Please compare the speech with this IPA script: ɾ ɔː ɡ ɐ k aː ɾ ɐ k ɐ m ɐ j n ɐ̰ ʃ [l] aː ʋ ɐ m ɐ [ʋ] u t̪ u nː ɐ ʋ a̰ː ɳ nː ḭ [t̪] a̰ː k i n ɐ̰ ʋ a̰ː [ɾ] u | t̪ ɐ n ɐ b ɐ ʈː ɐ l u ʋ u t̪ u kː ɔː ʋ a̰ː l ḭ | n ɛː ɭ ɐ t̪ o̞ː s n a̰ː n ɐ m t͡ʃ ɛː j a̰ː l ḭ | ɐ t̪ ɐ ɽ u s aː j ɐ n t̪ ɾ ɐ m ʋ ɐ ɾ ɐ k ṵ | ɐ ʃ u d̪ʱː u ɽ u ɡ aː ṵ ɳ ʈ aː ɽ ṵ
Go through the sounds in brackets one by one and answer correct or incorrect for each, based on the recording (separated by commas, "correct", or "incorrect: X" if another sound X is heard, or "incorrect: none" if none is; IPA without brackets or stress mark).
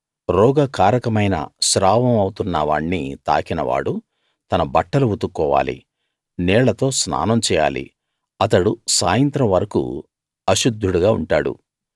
incorrect: ɾ, incorrect: w, correct, incorrect: ɽ